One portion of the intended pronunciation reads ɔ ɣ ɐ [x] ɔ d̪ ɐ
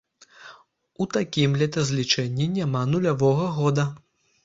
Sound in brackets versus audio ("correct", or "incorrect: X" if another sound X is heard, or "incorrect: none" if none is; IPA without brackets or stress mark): incorrect: ɣ